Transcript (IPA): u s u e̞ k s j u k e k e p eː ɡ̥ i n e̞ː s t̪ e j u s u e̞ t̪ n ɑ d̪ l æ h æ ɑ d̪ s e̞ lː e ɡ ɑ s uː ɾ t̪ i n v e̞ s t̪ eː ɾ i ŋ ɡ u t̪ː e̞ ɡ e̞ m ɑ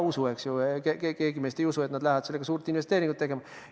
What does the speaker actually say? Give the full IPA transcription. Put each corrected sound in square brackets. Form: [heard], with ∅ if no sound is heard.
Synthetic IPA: u s u e̞ k s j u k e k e [k] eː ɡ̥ i [m] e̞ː s t̪ e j u s u e̞ t̪ n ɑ d̪ l æ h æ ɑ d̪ s e̞ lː e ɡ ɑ s uː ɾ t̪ i n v e̞ s t̪ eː ɾ i ŋ ɡ u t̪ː e̞ ɡ e̞ m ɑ